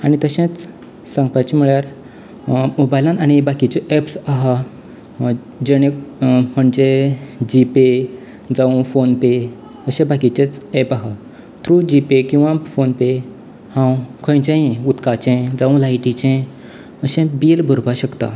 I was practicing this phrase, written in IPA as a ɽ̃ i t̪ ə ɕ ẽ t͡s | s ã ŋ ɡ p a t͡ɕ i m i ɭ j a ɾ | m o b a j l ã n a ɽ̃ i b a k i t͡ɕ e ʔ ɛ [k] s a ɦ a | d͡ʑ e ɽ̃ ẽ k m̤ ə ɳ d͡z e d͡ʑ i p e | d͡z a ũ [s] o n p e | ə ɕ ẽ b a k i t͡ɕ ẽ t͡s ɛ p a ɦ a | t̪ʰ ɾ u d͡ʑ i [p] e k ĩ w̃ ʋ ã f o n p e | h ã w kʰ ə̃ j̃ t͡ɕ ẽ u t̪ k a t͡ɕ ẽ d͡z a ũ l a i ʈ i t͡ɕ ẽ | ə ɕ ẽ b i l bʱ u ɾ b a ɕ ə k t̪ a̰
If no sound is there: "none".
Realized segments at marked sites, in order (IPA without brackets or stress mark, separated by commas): p, f, p